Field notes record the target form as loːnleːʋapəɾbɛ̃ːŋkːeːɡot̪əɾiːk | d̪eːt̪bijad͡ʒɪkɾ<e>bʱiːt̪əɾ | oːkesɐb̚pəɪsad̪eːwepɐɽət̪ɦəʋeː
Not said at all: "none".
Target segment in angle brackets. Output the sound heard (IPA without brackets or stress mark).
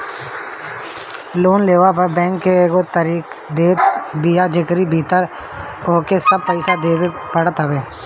i